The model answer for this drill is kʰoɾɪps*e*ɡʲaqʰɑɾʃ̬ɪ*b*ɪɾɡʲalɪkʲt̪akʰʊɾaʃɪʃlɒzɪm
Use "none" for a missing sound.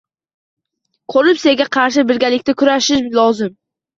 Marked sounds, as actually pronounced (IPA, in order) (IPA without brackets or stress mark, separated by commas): e, b